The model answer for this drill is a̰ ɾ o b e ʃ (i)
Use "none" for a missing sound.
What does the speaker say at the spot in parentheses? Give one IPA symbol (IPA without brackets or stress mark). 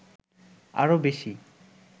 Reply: i